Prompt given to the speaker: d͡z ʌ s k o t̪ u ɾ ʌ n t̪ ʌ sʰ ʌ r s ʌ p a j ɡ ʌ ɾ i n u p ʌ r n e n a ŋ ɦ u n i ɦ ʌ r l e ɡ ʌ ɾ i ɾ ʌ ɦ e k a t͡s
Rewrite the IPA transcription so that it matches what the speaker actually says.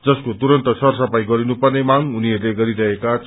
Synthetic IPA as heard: d͡z ʌ s k o t̪ u ɾ ʌ n t̪ ʌ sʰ ʌ r s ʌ p a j ɡ ʌ ɾ i n u p ʌ r n e m a ŋ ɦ u n i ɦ ʌ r l e ɡ ʌ ɾ i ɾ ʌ ɦ e k a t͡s